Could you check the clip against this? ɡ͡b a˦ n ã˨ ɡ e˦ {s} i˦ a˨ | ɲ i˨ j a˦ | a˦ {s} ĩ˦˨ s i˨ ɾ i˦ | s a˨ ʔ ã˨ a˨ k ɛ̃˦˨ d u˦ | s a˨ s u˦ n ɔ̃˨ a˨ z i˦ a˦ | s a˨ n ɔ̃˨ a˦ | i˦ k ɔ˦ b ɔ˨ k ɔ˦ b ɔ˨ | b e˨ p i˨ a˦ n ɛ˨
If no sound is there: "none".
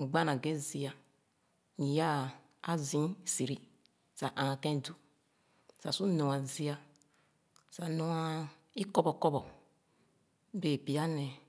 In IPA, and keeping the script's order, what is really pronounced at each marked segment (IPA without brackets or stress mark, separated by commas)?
z, z